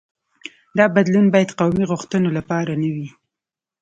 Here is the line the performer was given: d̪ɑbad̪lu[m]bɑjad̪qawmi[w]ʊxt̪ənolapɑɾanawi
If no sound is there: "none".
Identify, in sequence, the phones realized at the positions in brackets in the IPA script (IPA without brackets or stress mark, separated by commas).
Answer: n, ɣ